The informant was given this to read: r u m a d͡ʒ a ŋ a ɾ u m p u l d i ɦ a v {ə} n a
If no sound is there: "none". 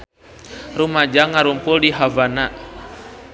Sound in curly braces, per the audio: a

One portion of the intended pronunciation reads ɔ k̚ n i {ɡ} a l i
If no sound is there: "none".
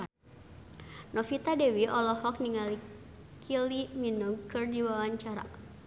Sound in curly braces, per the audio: ŋ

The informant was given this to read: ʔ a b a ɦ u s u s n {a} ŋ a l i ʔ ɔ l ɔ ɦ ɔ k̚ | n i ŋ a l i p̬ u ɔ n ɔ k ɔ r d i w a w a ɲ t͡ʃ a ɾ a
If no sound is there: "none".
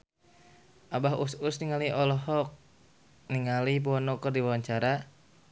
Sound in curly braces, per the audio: i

